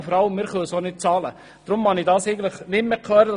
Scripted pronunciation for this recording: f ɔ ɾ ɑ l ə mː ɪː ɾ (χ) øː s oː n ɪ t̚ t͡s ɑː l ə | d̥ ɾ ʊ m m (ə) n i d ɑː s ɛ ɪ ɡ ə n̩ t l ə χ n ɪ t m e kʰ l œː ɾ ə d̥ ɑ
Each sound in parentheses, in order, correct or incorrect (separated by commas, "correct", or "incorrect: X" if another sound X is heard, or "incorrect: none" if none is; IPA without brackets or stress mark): correct, incorrect: ɑ